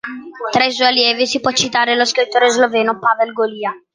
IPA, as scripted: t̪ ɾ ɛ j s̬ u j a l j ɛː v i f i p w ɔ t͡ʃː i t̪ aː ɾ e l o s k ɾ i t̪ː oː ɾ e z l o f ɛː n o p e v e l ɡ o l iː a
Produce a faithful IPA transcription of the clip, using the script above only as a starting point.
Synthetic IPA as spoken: t̪ ɾ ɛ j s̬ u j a l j ɛː v i s i p w ɔ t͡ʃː i t̪ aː ɾ e l o s k ɾ i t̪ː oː ɾ e z l o v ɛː n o p a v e l ɡ o l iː a